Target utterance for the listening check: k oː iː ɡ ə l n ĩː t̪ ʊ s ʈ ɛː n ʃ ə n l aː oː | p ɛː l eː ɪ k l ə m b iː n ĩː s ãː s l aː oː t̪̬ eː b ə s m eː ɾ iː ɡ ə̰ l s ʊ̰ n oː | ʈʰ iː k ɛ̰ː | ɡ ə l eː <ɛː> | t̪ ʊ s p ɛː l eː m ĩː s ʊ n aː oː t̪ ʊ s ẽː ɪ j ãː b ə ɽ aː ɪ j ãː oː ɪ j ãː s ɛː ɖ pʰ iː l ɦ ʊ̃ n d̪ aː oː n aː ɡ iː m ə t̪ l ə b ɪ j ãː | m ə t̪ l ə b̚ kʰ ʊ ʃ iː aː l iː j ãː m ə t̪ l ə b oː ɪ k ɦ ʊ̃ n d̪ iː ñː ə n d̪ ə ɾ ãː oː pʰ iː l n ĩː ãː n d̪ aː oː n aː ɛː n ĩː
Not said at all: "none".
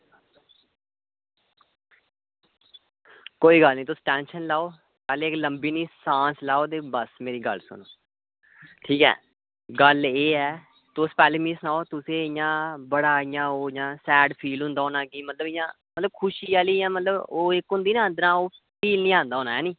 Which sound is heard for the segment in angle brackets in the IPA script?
ɛː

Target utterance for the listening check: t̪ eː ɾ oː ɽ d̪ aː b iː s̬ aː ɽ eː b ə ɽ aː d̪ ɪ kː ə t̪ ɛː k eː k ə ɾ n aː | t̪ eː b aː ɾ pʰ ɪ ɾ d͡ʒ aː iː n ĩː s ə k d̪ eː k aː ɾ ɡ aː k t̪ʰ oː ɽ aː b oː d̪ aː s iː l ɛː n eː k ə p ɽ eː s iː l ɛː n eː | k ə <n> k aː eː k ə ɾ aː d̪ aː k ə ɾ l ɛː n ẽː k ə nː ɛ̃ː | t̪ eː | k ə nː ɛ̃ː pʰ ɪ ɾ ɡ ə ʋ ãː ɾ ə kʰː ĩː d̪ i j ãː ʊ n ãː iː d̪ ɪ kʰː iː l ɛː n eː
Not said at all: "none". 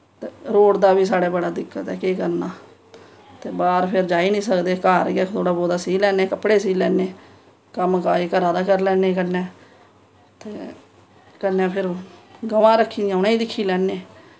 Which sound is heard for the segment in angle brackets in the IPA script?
m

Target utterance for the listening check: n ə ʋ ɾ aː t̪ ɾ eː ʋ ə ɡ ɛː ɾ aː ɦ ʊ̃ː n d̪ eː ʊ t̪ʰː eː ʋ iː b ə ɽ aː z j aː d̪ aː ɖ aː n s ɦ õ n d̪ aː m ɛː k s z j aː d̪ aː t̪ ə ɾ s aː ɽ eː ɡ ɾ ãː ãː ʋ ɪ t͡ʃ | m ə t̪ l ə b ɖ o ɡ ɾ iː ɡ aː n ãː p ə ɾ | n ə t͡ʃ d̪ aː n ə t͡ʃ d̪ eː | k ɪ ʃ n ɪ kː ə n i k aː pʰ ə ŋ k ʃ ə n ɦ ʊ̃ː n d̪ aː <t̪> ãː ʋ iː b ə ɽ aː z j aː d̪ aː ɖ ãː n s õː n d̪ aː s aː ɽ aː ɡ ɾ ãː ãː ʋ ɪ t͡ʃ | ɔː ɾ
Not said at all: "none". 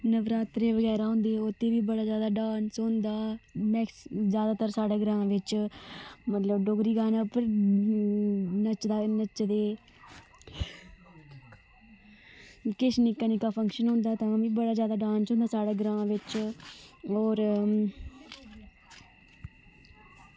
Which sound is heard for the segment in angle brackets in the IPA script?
t̪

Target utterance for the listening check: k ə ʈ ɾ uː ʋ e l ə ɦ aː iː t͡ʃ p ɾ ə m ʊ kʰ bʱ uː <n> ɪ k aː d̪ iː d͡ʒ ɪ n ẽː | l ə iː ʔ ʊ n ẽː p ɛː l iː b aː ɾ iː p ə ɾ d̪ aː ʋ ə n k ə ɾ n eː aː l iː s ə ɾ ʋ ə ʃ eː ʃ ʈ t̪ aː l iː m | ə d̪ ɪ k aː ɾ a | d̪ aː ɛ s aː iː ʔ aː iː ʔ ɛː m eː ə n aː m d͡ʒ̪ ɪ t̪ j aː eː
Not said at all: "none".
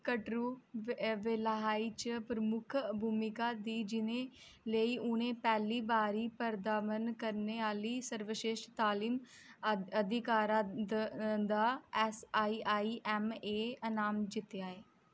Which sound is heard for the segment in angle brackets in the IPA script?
m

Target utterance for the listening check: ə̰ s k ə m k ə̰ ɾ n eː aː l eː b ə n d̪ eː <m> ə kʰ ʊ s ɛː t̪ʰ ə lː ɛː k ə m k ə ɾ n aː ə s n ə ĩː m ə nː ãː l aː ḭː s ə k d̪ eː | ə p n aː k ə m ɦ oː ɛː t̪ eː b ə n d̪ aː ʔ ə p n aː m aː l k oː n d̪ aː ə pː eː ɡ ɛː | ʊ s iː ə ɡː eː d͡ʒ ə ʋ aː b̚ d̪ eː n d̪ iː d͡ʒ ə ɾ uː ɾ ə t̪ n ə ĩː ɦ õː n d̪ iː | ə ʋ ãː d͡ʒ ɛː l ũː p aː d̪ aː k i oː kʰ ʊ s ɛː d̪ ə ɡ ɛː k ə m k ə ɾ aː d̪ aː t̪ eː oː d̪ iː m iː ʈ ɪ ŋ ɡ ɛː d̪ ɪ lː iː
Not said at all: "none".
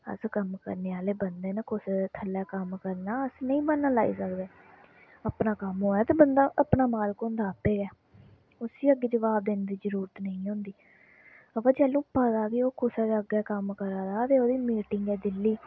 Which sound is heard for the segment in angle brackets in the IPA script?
n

